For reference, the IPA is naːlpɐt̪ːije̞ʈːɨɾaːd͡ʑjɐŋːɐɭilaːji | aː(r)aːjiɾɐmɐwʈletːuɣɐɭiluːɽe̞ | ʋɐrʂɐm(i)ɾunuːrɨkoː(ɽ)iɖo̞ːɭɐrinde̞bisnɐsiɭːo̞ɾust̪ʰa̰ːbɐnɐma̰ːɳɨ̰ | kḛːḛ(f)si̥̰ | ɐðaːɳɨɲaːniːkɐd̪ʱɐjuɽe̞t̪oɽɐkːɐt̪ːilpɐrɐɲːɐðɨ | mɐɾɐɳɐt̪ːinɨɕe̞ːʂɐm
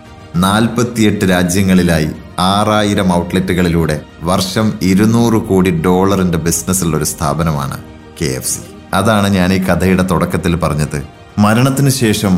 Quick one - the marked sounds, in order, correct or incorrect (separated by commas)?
correct, correct, correct, correct